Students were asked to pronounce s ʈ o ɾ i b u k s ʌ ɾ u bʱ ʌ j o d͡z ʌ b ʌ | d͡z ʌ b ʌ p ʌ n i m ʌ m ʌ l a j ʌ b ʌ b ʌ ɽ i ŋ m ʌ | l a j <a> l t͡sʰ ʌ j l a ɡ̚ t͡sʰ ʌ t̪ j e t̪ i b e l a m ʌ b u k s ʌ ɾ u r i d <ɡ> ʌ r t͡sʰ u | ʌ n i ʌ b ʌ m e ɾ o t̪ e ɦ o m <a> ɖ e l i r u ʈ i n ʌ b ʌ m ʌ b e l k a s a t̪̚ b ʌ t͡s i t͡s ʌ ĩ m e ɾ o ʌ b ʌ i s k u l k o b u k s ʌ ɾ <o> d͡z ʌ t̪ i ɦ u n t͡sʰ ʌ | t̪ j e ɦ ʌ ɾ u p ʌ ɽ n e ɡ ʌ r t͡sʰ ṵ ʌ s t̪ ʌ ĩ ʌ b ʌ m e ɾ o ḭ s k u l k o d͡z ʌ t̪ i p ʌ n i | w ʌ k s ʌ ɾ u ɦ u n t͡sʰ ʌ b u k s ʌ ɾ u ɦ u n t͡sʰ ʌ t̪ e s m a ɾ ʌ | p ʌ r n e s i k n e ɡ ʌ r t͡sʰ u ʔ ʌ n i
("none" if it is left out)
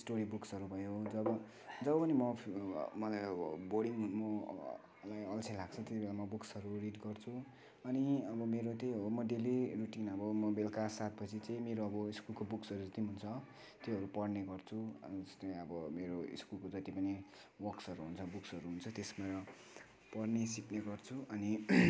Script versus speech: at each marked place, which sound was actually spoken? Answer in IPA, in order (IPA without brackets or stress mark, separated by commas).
ʌ, ɡ, ʌ, u